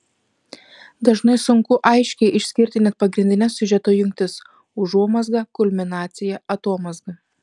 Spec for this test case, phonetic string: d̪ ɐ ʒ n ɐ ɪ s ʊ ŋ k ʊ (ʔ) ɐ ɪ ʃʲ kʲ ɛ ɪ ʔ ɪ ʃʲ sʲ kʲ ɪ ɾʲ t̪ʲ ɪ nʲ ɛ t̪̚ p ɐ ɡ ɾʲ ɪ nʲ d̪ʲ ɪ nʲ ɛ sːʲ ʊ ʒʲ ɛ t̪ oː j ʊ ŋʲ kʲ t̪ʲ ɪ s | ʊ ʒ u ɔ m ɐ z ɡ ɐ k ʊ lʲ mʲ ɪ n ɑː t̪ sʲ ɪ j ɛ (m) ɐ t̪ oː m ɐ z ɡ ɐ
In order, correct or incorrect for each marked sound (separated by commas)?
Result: correct, incorrect